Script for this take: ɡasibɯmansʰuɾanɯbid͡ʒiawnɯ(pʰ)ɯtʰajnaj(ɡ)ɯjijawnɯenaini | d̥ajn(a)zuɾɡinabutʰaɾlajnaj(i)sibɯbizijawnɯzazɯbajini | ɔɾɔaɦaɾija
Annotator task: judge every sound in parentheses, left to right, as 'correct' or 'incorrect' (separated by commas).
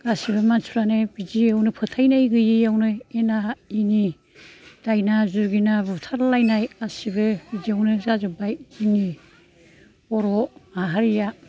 correct, correct, correct, incorrect